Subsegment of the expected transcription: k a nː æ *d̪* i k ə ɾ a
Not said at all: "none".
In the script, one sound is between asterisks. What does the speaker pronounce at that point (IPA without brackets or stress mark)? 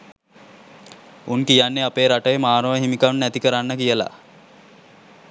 t̪